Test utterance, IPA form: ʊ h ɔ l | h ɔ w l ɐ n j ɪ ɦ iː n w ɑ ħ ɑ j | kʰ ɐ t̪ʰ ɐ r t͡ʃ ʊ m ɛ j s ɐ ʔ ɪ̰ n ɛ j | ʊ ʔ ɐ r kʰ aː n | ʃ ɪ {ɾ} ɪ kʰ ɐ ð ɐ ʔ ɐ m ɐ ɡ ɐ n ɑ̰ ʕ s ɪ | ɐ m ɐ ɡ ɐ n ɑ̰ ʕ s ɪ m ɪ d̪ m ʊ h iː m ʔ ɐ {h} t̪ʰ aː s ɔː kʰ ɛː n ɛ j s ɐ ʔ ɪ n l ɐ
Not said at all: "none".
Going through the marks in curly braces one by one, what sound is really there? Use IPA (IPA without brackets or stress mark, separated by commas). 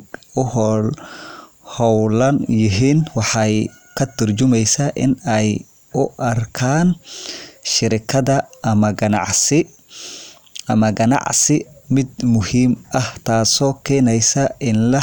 ɾ, h